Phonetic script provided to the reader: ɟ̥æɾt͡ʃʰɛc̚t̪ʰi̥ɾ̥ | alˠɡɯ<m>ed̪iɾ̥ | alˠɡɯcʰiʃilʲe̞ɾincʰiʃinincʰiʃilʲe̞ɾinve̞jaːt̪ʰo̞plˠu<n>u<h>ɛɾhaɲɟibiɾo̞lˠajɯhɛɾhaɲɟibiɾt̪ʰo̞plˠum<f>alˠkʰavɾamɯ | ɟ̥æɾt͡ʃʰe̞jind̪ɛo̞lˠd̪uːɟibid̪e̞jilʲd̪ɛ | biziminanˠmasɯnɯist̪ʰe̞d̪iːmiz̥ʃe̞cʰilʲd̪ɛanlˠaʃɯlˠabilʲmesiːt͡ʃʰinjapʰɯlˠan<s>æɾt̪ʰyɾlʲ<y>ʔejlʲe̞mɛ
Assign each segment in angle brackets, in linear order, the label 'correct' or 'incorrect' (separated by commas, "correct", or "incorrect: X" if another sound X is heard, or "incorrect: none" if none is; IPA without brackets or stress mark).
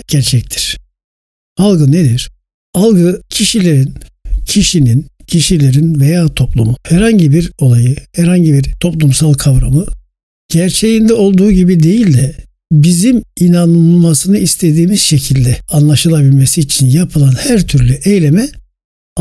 incorrect: n, incorrect: m, correct, incorrect: s, incorrect: h, correct